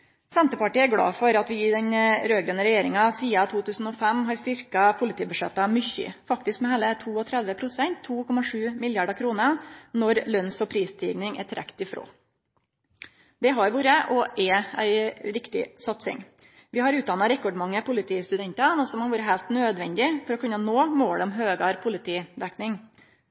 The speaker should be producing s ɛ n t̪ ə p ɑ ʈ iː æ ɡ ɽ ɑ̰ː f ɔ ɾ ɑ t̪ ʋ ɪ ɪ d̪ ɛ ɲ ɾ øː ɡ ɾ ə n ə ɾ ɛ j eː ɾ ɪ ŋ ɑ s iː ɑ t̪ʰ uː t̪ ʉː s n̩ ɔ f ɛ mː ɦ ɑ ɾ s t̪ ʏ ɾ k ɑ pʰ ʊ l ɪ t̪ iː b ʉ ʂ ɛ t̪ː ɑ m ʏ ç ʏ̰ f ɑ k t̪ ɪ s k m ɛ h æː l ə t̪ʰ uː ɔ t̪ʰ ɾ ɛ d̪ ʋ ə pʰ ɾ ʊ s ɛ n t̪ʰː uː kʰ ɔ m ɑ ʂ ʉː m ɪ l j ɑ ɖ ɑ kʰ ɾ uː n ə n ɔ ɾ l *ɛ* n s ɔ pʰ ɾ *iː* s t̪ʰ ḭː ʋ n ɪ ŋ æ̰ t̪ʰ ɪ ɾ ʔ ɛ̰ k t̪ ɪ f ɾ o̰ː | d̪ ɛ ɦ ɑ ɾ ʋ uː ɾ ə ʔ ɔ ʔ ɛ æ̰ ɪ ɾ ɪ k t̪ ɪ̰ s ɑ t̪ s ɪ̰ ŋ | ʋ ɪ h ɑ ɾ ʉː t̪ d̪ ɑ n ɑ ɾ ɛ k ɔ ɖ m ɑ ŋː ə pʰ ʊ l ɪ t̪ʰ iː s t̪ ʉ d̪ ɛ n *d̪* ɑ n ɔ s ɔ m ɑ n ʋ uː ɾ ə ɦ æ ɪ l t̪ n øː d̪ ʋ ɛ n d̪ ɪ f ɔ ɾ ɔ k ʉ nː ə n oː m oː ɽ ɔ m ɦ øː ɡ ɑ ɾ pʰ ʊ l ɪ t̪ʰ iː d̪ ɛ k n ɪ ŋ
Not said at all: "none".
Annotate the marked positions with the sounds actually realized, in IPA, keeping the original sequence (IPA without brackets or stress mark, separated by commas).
œ, iː, t̪